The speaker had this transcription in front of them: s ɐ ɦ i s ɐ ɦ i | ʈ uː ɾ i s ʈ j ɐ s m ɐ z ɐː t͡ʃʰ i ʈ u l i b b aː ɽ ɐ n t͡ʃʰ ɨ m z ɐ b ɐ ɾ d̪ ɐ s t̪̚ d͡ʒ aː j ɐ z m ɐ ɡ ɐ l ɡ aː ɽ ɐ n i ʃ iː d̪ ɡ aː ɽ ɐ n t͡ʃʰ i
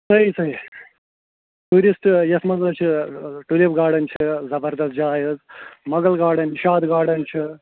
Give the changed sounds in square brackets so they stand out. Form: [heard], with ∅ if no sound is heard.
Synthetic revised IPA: s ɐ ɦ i s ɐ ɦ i | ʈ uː ɾ i s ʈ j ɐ s m ɐ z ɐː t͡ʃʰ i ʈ u l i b [ɡ] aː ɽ ɐ n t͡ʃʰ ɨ [∅] z ɐ b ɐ ɾ d̪ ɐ s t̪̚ d͡ʒ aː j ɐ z m ɐ ɡ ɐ l ɡ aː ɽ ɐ n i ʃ [aː] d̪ ɡ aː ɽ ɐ n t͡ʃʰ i